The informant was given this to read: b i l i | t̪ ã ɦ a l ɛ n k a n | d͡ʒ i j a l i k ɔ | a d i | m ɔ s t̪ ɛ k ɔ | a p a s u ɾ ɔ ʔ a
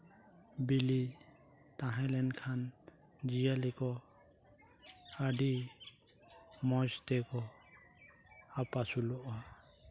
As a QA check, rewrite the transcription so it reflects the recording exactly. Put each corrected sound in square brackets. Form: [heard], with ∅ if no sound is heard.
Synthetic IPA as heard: b i l i | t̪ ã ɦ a l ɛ n [kʰ] a n | d͡ʒ i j a l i k ɔ | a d i | m ɔ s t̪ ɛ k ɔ | a p a s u [l] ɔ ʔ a